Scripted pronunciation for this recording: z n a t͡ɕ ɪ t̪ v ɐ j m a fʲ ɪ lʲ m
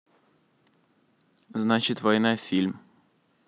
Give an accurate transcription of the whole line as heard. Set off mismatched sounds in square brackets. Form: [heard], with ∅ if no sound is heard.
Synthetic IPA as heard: z n a t͡ɕ ɪ t̪ v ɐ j [n] a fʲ [i] lʲ m